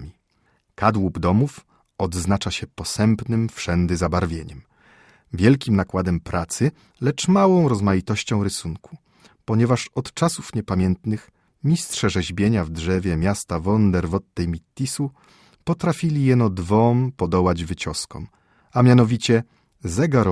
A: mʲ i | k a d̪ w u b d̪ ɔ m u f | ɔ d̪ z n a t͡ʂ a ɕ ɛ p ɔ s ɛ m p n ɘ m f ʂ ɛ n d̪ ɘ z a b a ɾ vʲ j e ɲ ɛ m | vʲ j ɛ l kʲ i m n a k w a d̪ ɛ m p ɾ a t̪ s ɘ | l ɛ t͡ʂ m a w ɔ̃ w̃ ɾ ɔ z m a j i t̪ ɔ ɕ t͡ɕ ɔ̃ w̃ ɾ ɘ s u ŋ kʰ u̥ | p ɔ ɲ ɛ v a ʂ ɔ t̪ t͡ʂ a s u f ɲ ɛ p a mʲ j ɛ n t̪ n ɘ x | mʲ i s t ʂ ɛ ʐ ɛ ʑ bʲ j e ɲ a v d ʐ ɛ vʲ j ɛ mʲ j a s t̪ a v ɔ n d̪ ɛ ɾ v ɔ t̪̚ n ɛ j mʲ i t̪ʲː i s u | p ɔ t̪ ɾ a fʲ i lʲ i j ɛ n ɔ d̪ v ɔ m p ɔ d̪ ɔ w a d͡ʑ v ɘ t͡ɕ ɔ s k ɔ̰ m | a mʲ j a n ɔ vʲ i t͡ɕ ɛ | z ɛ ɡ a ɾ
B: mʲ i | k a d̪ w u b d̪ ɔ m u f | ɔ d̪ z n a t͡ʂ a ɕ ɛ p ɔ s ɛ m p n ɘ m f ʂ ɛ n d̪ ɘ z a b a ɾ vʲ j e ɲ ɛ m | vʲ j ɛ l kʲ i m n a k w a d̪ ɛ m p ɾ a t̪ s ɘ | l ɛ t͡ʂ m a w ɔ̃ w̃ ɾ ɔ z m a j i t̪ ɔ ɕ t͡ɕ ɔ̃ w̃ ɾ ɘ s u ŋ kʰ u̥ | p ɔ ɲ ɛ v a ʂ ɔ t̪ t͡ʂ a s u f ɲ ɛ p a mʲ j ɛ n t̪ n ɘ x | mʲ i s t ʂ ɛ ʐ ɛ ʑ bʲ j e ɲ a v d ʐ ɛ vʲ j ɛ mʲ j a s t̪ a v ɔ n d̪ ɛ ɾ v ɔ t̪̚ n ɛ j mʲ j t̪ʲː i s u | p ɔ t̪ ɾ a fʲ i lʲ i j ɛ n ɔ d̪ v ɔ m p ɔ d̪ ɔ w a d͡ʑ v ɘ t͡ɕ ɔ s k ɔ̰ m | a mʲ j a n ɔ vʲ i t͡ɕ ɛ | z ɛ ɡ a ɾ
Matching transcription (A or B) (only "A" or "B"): A